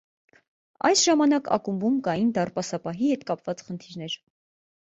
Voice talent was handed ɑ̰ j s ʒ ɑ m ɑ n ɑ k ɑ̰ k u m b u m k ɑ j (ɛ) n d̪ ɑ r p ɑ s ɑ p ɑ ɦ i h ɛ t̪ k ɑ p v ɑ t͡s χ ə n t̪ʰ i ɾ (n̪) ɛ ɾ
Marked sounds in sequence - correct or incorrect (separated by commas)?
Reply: incorrect, correct